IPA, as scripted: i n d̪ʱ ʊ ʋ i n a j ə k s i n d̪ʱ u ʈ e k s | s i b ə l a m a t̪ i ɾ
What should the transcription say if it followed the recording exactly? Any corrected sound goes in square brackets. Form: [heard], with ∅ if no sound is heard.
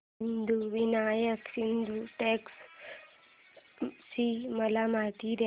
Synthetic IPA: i n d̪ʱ [u] ʋ i n a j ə k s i n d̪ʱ u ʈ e k s | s i [m] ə l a m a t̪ i ɾ